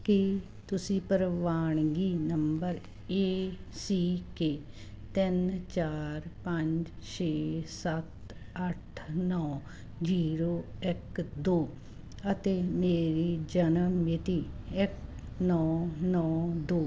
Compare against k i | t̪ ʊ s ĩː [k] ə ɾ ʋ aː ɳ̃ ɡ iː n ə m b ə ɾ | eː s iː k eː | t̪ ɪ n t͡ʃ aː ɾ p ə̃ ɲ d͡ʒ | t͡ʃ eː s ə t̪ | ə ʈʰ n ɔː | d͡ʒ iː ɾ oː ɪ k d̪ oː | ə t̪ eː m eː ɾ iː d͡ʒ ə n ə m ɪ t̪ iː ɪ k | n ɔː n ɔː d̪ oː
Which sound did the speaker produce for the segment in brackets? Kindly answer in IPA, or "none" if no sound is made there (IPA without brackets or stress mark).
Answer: p